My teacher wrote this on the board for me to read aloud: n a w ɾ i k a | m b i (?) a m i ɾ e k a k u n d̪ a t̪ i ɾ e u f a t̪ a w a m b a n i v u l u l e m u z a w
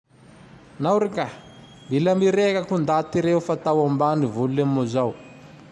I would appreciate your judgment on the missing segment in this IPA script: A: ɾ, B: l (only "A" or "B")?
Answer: B